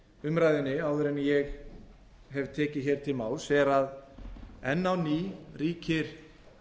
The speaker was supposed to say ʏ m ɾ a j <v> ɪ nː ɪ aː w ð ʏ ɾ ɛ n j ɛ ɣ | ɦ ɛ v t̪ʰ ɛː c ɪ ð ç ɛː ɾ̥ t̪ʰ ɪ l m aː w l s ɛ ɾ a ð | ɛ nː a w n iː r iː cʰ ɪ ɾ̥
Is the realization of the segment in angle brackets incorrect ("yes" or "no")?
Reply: yes